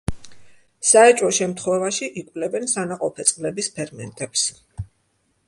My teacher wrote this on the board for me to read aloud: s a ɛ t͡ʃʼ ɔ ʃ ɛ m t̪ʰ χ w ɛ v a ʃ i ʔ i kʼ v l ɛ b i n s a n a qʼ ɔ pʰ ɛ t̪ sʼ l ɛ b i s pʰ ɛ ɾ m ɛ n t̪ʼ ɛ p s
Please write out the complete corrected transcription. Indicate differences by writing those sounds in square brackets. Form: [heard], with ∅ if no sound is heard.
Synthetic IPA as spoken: s a ɛ t͡ʃʼ ɔ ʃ ɛ m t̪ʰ χ w ɛ v a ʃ i ʔ i kʼ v l ɛ b [ɛ] n s a n a qʼ ɔ pʰ ɛ t̪ sʼ l ɛ b i s pʰ ɛ ɾ m ɛ n t̪ʼ ɛ p s